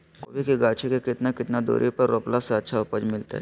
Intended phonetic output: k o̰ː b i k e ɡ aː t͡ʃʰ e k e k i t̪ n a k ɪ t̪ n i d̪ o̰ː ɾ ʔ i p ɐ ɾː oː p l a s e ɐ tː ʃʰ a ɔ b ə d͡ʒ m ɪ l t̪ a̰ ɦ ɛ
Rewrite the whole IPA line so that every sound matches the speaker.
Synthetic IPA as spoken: k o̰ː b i k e ɡ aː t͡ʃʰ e k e k ɪ t̪ n a k ɪ t̪ n a d̪ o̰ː ɾ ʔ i p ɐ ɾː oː p l a s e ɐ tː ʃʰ a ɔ p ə d͡ʒ m ɪ l t̪ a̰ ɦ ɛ